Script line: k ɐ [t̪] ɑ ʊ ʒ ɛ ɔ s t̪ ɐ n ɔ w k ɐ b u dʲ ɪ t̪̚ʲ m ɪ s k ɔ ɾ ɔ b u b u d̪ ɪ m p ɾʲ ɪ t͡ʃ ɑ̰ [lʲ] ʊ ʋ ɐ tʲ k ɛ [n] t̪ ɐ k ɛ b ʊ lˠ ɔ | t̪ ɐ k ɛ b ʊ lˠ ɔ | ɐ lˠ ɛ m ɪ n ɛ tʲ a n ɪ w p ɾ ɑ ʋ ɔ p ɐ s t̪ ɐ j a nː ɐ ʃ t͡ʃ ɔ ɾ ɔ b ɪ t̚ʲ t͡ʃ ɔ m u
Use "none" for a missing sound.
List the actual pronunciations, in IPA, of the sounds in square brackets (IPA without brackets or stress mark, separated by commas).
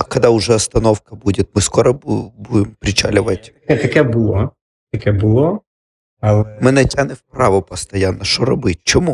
d̪, lʲ, none